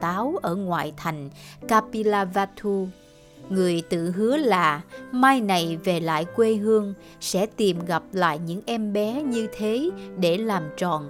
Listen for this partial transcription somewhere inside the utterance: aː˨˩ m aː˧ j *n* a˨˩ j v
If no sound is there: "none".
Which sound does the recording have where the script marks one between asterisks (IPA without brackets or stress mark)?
n